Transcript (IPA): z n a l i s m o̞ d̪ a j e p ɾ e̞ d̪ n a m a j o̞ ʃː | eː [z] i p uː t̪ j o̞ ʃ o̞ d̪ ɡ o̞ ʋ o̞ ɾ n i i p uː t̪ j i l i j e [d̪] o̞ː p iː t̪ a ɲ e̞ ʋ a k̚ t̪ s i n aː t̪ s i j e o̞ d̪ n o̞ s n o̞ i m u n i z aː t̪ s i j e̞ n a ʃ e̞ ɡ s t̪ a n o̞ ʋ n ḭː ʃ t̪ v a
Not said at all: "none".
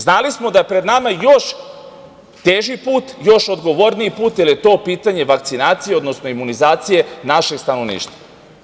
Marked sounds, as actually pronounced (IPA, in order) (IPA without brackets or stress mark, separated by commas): ʒ, t̪